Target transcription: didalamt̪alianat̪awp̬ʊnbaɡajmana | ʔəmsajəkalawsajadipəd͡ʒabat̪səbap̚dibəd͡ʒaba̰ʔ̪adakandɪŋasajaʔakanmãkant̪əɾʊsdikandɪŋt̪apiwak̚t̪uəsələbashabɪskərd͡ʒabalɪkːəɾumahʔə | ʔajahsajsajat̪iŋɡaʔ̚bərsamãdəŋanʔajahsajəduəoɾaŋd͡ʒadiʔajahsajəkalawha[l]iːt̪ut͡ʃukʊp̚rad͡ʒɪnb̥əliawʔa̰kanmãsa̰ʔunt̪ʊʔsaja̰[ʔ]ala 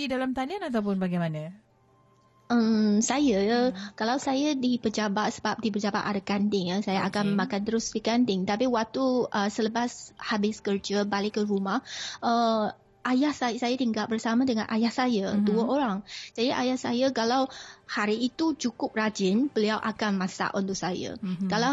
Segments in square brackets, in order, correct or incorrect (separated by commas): incorrect, incorrect